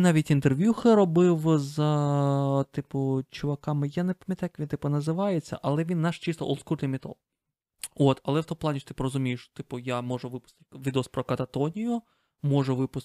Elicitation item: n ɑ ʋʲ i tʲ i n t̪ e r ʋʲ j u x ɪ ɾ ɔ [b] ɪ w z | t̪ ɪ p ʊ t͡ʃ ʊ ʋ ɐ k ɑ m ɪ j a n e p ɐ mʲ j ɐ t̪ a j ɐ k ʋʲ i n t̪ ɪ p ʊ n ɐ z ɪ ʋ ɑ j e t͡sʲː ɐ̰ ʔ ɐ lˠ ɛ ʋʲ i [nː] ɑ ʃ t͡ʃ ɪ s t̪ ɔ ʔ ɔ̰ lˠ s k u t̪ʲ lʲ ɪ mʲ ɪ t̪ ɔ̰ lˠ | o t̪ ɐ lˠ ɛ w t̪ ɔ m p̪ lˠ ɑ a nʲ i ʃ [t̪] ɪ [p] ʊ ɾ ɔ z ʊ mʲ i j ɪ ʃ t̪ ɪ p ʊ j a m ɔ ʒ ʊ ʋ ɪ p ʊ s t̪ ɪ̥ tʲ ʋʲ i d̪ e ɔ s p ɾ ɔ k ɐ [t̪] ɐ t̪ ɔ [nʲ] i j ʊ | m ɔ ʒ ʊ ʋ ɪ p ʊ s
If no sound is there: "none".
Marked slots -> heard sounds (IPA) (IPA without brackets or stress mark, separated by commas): b, nː, t̪, p, t̪, nʲ